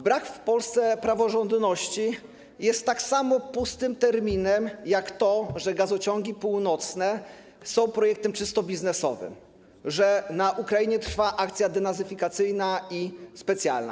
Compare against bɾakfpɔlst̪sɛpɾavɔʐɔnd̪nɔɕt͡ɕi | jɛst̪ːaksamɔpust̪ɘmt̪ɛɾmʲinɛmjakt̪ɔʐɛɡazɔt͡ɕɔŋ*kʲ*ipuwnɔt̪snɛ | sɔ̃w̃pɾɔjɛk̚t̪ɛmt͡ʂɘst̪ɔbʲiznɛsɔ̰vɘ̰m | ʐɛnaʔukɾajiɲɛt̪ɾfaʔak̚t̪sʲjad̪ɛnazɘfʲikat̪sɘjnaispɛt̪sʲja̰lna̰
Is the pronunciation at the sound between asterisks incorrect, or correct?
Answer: incorrect